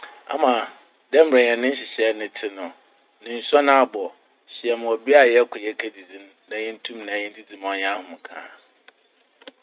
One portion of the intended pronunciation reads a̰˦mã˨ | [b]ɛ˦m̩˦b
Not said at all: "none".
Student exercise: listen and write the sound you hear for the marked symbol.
d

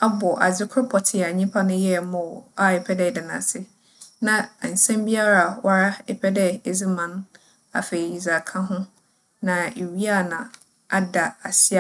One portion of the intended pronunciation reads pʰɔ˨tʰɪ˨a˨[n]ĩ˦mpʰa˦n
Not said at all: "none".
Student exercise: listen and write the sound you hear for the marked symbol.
ɲ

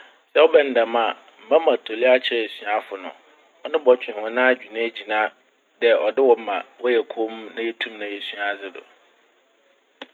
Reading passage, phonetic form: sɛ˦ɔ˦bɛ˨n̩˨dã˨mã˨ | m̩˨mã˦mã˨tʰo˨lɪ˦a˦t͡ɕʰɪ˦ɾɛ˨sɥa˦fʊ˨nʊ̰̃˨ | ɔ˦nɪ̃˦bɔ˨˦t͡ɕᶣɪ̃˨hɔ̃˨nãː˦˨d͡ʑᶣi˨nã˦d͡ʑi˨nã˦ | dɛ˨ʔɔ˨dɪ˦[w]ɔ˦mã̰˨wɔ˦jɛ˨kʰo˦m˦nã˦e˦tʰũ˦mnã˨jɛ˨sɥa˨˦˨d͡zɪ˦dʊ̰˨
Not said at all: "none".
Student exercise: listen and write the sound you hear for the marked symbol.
w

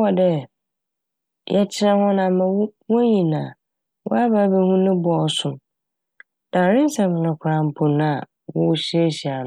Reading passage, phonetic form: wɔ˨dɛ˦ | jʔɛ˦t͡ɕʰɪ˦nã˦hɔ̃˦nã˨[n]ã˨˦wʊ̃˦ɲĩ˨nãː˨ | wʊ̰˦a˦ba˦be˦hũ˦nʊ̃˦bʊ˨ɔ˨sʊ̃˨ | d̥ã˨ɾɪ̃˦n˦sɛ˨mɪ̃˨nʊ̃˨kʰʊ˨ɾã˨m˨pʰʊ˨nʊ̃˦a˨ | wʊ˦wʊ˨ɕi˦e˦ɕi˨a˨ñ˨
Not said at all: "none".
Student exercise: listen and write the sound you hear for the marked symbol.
m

